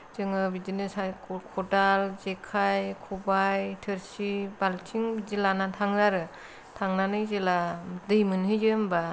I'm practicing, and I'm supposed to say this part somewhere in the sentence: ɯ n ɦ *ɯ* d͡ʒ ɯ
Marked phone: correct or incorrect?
correct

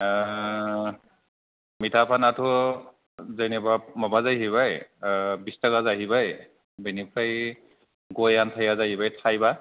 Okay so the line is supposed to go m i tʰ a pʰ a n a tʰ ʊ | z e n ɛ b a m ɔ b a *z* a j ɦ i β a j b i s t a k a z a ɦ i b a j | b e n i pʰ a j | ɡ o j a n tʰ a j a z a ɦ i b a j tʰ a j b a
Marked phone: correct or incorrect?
correct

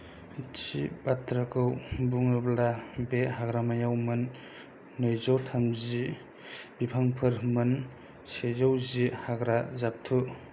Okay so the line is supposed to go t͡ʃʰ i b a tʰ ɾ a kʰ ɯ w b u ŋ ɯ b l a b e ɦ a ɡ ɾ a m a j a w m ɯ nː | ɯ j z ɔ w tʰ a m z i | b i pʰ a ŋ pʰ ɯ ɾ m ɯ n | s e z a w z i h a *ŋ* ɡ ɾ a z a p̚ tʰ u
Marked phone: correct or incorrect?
incorrect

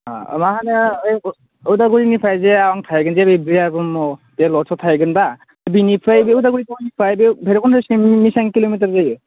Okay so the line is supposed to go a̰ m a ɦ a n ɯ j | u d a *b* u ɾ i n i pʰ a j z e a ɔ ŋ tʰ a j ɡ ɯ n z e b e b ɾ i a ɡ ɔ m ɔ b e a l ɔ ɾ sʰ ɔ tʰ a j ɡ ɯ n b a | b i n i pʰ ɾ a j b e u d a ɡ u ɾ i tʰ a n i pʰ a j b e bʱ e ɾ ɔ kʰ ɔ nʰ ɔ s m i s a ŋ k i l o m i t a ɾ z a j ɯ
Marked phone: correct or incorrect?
incorrect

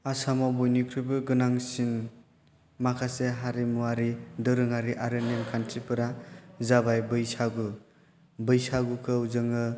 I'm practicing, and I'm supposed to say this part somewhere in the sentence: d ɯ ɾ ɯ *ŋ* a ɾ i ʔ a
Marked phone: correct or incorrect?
correct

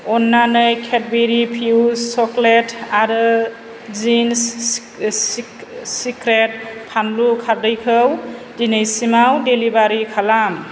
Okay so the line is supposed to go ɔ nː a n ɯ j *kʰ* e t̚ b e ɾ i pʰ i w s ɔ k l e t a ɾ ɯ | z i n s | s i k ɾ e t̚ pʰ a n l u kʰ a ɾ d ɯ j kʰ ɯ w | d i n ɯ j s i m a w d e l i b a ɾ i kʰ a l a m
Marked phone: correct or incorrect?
correct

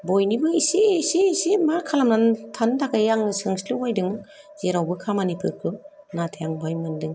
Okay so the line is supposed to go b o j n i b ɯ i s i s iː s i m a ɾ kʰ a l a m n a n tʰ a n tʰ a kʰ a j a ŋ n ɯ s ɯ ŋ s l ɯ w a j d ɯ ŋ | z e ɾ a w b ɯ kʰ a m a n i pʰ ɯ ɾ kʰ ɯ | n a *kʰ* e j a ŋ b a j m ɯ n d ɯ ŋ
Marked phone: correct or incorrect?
incorrect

